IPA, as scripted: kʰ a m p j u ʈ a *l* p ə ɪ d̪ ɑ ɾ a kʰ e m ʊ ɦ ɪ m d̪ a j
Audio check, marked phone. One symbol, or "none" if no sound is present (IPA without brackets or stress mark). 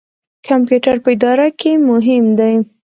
ɾ